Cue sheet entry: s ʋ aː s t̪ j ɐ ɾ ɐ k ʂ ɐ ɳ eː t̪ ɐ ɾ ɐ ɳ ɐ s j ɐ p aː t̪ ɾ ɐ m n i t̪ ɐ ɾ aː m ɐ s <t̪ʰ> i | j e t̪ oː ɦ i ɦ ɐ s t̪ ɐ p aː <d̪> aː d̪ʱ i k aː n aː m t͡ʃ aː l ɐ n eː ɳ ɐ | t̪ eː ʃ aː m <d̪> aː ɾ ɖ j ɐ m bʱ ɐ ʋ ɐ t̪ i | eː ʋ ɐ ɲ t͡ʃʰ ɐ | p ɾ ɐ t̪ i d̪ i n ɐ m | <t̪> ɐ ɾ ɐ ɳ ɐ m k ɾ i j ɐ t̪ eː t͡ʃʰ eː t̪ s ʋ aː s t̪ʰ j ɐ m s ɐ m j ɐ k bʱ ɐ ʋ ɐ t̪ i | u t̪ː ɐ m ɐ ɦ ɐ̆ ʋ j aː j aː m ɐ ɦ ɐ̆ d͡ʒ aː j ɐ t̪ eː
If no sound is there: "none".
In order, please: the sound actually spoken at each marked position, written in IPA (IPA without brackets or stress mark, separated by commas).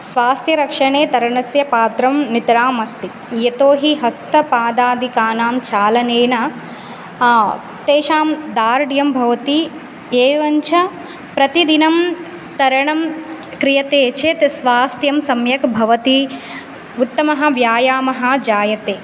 t̪, d̪, d̪, t̪